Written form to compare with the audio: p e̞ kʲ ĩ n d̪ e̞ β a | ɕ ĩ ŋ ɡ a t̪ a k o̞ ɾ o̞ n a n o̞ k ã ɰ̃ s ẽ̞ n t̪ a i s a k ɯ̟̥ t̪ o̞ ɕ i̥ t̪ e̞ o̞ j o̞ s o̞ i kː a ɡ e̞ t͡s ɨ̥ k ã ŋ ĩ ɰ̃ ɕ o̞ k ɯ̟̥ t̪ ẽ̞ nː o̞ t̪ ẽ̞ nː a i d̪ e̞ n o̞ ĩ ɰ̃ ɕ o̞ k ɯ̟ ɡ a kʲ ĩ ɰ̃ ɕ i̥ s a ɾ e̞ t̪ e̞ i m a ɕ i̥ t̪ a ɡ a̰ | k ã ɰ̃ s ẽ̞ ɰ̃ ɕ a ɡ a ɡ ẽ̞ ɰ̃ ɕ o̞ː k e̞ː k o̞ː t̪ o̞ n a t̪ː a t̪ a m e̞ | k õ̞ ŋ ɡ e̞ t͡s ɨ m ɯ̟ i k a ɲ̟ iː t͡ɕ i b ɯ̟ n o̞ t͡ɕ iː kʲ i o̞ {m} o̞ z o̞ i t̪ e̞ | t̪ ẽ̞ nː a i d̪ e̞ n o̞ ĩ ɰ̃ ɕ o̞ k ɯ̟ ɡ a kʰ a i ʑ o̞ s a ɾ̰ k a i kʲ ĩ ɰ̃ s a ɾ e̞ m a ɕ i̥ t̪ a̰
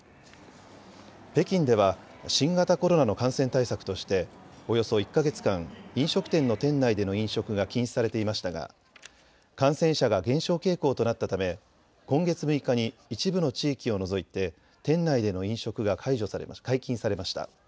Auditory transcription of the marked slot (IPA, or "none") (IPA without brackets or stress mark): n